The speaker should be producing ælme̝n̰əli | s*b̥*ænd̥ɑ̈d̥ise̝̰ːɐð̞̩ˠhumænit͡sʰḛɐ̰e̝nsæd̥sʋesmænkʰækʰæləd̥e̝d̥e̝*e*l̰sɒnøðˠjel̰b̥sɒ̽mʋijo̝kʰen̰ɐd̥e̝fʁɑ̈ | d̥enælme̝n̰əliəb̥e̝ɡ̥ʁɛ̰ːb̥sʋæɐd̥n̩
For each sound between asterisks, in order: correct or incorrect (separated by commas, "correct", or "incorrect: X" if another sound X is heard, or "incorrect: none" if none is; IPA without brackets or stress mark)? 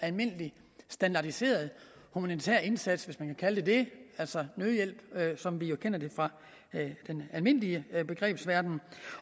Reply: incorrect: d̥, incorrect: æ